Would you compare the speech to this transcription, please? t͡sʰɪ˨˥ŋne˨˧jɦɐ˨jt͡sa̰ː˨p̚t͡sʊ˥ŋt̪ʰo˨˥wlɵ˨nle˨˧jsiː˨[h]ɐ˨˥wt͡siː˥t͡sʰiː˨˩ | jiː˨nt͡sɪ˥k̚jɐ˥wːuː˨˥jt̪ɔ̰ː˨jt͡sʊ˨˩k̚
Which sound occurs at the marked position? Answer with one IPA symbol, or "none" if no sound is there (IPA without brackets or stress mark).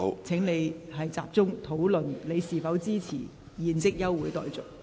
f